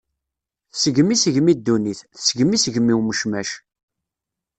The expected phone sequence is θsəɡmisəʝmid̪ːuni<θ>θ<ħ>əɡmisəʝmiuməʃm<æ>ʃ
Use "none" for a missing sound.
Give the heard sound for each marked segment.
θ, s, æ

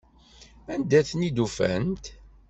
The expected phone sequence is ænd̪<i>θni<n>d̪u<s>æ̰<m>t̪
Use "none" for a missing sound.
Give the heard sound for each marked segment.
æ, none, f, n

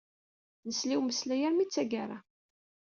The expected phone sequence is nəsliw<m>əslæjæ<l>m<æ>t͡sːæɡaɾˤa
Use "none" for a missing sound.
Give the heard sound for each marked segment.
m, ɾ, i

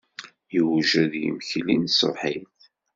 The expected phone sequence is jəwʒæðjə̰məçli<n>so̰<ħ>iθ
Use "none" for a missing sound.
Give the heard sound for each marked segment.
n, ħ

